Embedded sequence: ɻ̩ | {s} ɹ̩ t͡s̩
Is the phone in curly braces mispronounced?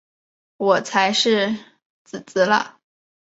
yes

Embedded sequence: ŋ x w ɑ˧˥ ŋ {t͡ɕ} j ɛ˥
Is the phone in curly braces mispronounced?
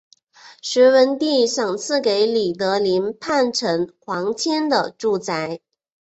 yes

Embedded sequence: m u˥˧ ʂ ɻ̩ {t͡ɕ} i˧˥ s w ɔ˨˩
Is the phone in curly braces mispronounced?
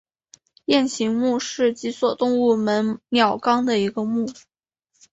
no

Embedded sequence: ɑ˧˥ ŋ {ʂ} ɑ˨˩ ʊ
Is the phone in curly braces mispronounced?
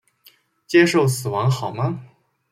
yes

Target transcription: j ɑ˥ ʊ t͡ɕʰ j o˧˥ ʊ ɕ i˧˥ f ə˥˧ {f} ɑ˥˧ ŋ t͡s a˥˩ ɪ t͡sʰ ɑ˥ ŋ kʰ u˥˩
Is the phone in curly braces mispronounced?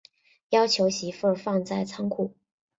no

